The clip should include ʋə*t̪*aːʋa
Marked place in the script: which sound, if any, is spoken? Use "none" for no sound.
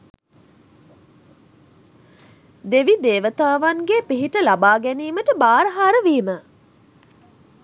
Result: t̪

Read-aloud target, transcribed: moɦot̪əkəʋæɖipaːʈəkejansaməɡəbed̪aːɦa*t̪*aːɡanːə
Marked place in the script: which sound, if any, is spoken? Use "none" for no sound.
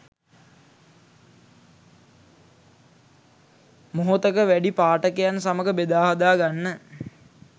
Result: d̪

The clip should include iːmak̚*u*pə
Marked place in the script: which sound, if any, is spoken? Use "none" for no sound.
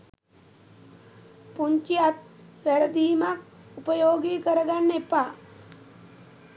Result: u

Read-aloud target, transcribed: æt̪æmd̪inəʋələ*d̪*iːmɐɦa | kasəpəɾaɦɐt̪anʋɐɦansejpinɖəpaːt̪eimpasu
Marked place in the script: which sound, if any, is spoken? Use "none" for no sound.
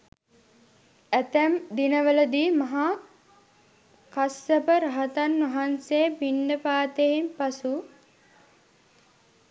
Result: d̪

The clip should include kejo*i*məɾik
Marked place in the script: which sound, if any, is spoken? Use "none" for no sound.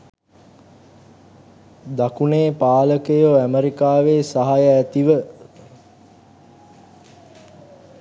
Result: æ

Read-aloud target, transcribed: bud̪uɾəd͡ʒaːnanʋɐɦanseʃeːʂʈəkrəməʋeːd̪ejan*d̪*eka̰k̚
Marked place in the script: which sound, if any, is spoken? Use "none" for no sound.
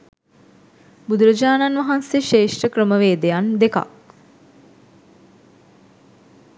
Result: d̪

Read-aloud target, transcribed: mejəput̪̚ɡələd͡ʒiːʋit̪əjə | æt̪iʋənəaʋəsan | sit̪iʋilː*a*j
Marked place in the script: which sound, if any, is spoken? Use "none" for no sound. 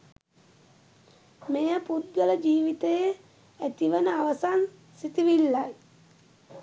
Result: a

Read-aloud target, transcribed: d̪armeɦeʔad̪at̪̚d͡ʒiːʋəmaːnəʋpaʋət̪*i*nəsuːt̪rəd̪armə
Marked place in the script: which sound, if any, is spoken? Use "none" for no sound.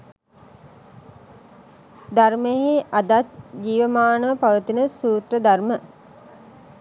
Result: i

